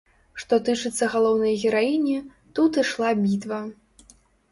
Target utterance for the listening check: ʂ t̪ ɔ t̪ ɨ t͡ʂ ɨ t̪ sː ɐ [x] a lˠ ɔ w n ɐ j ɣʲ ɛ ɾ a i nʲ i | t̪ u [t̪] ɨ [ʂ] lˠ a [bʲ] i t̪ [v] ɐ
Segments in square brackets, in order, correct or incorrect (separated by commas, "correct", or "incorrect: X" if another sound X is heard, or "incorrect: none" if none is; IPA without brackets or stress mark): incorrect: ɣ, correct, correct, correct, correct